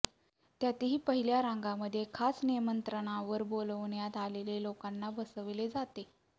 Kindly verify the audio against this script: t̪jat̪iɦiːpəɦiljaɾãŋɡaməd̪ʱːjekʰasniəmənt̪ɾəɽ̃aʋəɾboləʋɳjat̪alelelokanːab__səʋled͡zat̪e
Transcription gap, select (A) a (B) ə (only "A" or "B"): B